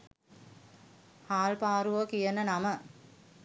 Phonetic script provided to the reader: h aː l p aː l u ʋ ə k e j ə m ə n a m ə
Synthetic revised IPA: h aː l p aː ɾ u ʋ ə k i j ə n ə n a m ə